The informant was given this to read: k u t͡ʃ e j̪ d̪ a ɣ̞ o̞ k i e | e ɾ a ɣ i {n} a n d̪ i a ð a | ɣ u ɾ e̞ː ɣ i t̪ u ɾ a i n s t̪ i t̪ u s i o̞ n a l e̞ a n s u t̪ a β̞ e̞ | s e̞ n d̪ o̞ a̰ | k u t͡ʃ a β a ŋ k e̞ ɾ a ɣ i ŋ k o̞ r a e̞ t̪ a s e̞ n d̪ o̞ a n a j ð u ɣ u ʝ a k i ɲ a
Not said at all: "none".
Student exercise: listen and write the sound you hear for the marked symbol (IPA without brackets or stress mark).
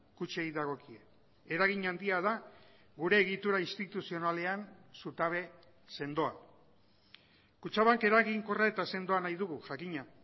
ɲ